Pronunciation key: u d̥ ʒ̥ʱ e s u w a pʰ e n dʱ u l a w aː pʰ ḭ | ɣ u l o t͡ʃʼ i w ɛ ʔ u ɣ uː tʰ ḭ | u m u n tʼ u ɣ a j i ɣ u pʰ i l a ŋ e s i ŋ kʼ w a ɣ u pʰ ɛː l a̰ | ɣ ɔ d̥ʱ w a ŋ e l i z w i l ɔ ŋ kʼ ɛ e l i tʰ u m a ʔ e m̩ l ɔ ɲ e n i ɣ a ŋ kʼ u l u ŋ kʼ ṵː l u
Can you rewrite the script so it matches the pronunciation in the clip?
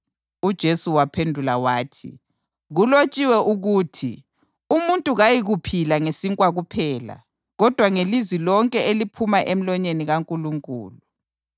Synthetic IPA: u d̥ ʒ̥ʱ e s u w a pʰ e n dʱ u l a w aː tʰ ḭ | ɣ u l o t͡ʃʼ i w ɛ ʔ u ɣ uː tʰ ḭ | u m u n tʼ u ɣ a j i ɣ u pʰ i l a ŋ e s i ŋ kʼ w a ɣ u pʰ ɛː l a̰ | ɣ ɔ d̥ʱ w a ŋ e l i z w i l ɔ ŋ kʼ ɛ e l i pʰ u m a ʔ e m̩ l ɔ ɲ e n i ɣ a ŋ kʼ u l u ŋ kʼ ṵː l u